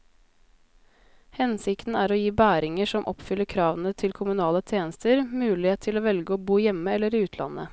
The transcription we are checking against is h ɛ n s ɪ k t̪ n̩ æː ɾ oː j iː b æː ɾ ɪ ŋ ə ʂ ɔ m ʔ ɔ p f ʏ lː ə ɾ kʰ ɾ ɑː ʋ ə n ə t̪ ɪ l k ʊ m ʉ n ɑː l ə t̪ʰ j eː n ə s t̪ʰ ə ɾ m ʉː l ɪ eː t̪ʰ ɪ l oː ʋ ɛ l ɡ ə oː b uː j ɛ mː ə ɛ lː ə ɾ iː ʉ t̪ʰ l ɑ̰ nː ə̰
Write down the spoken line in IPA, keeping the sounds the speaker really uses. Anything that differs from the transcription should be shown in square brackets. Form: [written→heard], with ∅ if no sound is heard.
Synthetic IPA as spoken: h ɛ n s ɪ k t̪ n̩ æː ɾ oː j iː b æː ɾ ɪ ŋ ə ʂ ɔ m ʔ ɔ p f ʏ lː ə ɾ kʰ ɾ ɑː ʋ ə n ə [t̪→t̪ʰ] ɪ l [k→kʰ] ʊ m ʉ n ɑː l ə t̪ʰ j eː n ə s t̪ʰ ə ɾ m ʉː l ɪ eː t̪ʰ ɪ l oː ʋ ɛ l ɡ ə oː b uː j ɛ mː ə ɛ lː ə ɾ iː [ʉ→ʉː] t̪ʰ l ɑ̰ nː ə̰